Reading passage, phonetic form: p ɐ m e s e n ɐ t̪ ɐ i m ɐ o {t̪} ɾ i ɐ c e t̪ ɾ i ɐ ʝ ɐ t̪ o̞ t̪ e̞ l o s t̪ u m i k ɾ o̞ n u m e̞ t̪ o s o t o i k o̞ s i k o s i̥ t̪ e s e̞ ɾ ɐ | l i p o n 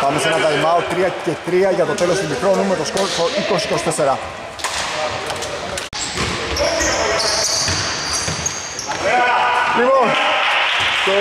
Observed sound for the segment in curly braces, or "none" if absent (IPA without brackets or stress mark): t̪